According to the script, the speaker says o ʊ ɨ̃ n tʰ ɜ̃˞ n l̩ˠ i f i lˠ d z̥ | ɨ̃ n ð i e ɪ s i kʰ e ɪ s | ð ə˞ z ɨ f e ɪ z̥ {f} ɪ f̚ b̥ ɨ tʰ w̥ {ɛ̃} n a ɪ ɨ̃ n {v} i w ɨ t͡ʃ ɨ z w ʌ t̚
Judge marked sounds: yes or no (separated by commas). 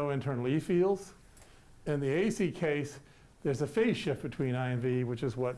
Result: no, no, yes